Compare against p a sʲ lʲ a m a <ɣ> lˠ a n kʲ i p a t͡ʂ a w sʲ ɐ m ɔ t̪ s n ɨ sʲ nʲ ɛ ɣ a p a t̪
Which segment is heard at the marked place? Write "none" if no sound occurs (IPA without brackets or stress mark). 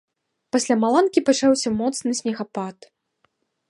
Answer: none